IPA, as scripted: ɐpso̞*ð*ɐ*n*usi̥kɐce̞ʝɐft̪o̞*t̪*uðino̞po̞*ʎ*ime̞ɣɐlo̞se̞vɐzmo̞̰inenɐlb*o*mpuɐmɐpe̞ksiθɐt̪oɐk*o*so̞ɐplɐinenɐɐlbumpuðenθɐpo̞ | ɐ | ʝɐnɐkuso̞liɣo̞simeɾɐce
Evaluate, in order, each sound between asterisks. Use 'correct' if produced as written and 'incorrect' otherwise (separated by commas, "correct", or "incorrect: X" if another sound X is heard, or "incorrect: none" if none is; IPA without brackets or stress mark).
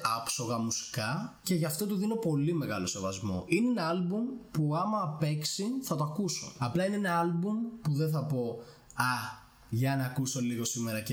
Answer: incorrect: ɣ, incorrect: m, correct, incorrect: l, incorrect: u, incorrect: u